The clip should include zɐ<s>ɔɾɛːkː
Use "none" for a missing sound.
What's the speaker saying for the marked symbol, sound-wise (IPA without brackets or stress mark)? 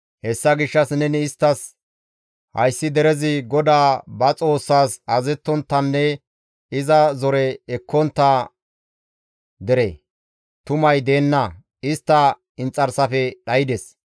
z